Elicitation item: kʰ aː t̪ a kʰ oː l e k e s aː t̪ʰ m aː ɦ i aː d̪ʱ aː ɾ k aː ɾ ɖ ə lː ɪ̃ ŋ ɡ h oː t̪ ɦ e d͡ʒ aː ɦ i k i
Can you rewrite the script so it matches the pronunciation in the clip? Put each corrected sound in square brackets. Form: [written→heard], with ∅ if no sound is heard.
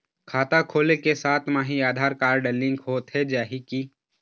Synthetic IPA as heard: kʰ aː t̪ a kʰ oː l e k e s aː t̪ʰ m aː ɦ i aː d̪ʱ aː ɾ k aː ɾ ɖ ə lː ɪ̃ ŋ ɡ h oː t̪ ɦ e d͡ʒ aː ɦ i k i